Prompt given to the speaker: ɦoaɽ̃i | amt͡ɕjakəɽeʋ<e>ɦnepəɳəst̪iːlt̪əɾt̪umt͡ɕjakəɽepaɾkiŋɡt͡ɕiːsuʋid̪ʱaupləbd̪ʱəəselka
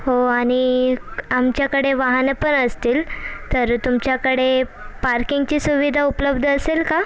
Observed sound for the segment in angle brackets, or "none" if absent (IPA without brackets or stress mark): a